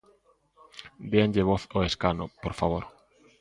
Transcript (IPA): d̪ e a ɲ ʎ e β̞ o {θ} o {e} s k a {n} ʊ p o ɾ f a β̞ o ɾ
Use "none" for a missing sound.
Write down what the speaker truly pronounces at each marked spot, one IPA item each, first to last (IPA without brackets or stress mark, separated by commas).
θ, e, n